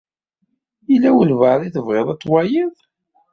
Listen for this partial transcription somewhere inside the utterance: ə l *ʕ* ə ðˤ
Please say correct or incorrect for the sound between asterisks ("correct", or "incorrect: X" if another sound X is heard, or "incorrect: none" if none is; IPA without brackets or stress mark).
incorrect: v